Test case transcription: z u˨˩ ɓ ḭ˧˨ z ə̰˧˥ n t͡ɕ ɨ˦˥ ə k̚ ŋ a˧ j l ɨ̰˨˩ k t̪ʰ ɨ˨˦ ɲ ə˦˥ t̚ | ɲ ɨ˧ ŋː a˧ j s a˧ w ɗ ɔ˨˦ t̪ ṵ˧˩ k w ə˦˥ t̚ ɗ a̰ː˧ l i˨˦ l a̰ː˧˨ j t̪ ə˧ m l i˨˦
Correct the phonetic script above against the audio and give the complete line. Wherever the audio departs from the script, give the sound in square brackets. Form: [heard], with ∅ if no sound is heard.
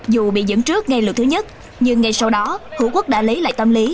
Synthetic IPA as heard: z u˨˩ ɓ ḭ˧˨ z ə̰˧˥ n t͡ɕ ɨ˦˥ ə k̚ ŋ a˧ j l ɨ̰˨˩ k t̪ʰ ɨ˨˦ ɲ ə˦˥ t̚ | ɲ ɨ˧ ŋː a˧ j s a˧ w ɗ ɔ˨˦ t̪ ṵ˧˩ k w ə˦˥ [k̚] ɗ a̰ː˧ l i˨˦ l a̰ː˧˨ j t̪ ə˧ m l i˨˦

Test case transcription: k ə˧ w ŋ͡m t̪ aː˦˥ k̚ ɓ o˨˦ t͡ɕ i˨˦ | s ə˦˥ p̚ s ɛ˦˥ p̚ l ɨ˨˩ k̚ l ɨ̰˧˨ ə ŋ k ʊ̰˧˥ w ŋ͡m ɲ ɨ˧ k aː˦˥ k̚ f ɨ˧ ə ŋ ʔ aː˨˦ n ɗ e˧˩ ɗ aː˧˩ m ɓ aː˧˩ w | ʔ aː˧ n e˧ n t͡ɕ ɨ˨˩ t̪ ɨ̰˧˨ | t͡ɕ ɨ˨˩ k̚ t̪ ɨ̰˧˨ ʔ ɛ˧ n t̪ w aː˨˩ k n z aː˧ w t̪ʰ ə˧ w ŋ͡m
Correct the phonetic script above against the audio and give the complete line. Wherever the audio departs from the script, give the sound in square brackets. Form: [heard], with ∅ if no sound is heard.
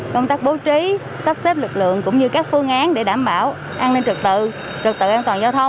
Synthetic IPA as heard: k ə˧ w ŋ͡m t̪ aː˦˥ k̚ ɓ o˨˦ t͡ɕ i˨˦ | s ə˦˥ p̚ s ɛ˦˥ p̚ l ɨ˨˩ k̚ l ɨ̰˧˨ ə ŋ k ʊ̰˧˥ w ŋ͡m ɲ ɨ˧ k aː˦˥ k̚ f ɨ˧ ə ŋ ʔ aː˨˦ n ɗ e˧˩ ɗ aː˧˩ m ɓ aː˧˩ w | ʔ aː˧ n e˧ n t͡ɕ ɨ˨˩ t̪ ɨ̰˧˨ | t͡ɕ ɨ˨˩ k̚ t̪ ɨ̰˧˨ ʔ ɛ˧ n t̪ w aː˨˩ [∅] n z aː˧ w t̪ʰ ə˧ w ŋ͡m

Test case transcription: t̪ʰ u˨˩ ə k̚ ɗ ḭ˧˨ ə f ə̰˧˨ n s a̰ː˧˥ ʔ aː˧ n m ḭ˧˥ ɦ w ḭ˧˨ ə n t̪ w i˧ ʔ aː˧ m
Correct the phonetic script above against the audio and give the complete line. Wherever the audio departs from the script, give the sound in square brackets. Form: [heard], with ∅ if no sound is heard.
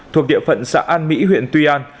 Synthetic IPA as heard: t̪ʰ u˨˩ ə k̚ ɗ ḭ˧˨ ə f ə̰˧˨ n s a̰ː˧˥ ʔ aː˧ n m ḭ˧˥ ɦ w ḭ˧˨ ə n t̪ w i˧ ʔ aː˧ [n]

